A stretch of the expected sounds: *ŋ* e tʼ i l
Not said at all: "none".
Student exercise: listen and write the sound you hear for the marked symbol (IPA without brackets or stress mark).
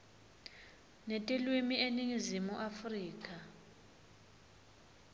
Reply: n